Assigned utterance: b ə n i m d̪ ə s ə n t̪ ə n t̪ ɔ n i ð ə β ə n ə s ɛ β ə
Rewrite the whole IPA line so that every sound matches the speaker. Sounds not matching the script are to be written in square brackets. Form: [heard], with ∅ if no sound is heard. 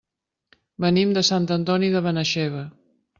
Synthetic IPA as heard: b ə n i m d̪ ə s [a] n t̪ ə n t̪ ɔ n i ð ə β ə n ə [ʃ] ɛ β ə